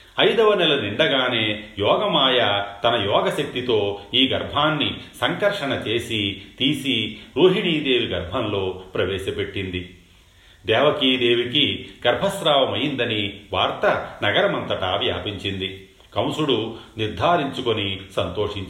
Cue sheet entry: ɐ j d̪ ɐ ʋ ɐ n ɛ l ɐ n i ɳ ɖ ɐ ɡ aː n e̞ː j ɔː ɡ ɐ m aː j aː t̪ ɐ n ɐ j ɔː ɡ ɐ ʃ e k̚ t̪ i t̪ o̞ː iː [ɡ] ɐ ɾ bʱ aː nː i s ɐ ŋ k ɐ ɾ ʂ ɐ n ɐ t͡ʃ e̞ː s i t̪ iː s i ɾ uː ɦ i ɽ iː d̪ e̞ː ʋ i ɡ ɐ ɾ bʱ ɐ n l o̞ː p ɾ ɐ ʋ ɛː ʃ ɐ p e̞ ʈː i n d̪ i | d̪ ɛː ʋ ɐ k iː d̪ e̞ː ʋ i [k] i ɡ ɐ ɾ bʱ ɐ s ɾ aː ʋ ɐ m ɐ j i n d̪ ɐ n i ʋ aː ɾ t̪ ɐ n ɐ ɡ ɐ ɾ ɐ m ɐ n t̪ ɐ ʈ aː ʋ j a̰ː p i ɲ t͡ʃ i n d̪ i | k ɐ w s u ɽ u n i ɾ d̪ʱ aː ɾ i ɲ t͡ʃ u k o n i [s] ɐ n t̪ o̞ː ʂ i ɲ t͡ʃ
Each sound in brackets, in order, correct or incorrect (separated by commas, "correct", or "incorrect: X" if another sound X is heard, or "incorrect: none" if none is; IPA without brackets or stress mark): correct, correct, correct